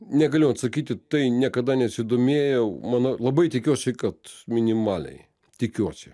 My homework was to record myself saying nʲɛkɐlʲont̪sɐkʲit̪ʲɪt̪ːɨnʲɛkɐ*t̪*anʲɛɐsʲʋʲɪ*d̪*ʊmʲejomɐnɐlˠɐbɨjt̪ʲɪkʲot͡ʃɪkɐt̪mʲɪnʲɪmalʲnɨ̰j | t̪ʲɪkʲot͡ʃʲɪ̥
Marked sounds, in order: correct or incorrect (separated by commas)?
incorrect, correct